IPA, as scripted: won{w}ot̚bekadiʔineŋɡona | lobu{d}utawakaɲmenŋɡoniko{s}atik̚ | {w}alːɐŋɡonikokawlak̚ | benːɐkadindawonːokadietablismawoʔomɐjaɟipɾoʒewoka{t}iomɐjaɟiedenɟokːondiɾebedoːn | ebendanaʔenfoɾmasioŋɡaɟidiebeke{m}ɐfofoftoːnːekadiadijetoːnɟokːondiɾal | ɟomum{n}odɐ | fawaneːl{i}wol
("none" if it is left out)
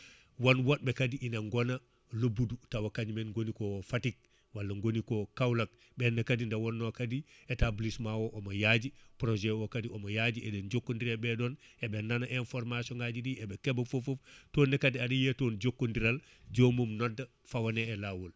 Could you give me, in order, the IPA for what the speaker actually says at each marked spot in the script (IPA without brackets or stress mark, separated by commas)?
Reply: w, d, f, w, d, b, n, a